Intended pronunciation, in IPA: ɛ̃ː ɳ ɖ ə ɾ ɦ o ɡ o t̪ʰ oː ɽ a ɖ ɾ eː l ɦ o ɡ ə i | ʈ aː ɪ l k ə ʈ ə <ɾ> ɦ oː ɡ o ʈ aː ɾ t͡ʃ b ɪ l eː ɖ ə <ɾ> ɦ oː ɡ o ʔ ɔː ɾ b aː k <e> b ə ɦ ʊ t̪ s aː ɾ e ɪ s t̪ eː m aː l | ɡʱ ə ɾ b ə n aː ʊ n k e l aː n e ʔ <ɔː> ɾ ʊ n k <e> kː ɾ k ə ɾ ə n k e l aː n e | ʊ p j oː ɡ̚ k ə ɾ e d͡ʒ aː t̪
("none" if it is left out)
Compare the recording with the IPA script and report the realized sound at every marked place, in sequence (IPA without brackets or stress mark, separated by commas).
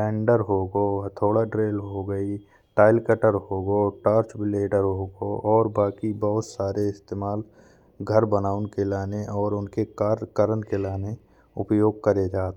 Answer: ɾ, ɾ, i, ɔː, e